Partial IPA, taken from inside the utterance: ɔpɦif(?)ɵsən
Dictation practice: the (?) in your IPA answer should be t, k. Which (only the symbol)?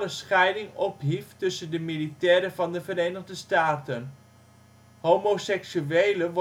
t